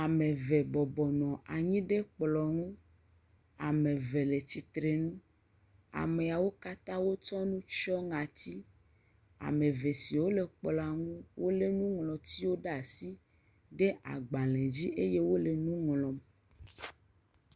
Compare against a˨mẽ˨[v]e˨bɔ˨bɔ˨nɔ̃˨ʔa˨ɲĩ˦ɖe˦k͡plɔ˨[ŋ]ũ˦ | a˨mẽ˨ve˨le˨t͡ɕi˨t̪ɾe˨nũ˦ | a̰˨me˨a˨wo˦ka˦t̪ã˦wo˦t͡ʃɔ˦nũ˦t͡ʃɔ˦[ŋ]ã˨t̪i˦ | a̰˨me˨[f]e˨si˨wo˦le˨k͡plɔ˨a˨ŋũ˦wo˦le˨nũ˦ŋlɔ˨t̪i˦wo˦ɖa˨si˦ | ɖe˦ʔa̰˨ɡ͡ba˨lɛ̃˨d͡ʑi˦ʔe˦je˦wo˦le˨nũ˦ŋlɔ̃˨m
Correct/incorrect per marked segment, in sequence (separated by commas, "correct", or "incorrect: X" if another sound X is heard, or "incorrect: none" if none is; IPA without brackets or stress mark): correct, correct, correct, incorrect: v